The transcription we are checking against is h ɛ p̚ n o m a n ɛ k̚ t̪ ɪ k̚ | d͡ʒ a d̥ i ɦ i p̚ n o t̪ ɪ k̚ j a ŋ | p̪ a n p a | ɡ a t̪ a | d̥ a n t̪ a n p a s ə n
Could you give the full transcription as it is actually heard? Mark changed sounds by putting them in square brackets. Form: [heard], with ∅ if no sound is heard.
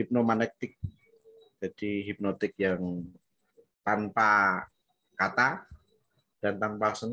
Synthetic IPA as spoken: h [i] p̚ n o m a n ɛ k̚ t̪ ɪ k̚ | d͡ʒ a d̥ i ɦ i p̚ n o t̪ ɪ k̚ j a ŋ | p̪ a n p a | [k] a t̪ a | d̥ a n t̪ a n p a s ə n